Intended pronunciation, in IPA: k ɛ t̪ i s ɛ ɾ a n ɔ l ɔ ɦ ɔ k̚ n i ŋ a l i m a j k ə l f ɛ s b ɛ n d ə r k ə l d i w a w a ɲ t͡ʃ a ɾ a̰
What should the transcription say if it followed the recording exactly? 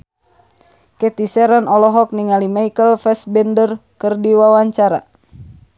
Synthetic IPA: k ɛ t̪ i s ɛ ɾ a n ɔ l ɔ ɦ ɔ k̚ n i ŋ a l i m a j k ə l f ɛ s b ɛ n d ə r k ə r d i w a w a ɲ t͡ʃ a ɾ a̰

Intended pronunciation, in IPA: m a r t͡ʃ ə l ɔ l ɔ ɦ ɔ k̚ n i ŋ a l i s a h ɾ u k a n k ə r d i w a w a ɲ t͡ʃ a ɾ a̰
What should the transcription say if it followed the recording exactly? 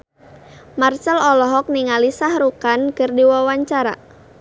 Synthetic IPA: m a r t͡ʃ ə l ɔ l ɔ ɦ ɔ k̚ n i ŋ a l i s a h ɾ u k a n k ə r d i w a w a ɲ t͡ʃ a ɾ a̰

